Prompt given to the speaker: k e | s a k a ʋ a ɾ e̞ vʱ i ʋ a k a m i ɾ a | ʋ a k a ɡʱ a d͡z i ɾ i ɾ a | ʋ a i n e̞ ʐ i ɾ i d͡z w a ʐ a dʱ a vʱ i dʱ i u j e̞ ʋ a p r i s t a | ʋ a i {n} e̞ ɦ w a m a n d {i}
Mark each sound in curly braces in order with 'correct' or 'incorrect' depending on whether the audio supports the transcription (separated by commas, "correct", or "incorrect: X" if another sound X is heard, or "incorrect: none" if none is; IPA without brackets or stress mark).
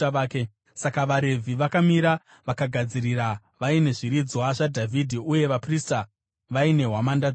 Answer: correct, incorrect: a